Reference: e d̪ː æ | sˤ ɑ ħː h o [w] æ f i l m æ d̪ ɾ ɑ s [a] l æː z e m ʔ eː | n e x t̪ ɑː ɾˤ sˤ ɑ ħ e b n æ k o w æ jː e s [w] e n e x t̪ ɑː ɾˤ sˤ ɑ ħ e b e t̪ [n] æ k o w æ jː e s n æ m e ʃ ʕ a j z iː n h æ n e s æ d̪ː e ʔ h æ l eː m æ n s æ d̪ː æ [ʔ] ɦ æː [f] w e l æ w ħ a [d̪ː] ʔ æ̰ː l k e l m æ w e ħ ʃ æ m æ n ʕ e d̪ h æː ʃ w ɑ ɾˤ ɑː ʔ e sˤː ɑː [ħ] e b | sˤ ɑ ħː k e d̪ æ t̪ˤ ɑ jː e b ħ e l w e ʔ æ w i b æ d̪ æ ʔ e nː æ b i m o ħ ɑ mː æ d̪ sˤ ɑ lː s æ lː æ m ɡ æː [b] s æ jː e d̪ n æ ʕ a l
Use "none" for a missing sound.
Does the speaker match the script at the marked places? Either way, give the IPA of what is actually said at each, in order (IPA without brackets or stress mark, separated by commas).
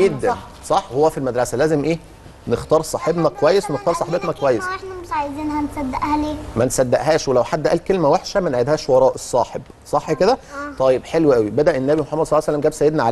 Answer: wː, æ, w, n, ʔ, ʃ, d̪ː, ħ, b